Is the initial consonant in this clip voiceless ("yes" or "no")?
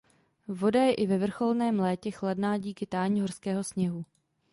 no